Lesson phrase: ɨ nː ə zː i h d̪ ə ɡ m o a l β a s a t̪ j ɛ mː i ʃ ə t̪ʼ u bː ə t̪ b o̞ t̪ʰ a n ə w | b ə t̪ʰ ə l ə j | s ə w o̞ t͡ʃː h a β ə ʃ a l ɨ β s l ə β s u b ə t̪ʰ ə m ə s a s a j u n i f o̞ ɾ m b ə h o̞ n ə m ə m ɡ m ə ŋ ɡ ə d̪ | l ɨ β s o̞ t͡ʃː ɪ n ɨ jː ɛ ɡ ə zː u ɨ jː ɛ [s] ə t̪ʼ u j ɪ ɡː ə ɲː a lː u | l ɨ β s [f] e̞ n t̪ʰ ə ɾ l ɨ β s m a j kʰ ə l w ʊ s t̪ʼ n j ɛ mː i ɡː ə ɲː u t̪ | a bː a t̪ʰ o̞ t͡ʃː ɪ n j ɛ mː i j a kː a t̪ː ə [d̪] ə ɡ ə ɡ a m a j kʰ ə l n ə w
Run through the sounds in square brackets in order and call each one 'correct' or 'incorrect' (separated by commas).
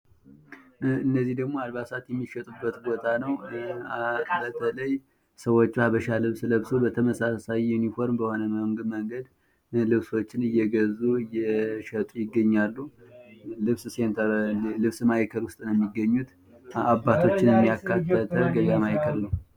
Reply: incorrect, incorrect, incorrect